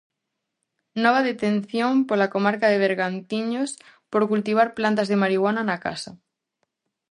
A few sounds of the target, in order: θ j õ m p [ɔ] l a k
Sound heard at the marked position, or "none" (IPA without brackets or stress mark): o